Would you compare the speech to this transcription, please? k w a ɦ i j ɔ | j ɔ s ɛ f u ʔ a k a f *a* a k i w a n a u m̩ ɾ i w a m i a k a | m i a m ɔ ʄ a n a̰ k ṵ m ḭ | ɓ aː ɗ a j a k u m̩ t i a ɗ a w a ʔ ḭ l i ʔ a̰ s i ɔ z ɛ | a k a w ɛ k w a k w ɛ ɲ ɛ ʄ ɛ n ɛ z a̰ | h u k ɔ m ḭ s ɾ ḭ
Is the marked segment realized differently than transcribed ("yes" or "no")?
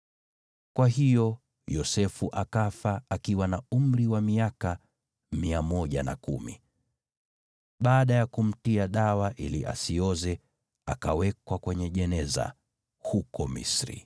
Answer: no